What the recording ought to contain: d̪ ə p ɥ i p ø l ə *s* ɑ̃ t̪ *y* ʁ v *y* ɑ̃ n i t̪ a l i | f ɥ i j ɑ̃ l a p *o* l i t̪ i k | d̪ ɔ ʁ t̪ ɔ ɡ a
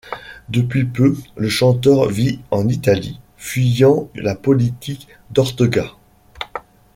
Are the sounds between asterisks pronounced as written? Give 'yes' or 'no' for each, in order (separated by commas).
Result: no, no, no, no